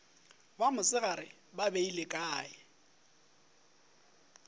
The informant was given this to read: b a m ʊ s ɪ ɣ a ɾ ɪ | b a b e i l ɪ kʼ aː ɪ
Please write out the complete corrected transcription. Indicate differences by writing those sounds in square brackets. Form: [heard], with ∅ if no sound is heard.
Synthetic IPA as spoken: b a m ʊ s ɪ ɣ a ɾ ɪ | b a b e i l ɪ kʼ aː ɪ